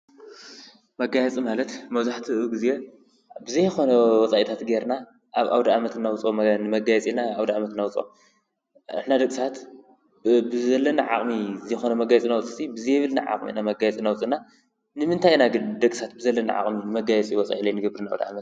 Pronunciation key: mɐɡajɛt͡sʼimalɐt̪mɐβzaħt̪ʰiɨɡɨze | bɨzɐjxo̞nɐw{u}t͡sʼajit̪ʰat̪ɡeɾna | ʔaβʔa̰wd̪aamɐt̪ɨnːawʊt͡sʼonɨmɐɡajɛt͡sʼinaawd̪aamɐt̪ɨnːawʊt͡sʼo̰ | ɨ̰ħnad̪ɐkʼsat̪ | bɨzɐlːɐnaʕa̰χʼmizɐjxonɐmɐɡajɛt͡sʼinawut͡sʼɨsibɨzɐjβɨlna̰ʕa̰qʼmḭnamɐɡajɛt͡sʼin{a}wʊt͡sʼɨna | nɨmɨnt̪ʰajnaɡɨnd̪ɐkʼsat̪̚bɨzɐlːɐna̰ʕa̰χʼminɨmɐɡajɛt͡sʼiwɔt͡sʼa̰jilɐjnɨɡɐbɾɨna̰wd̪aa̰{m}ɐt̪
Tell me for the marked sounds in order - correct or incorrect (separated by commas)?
incorrect, correct, correct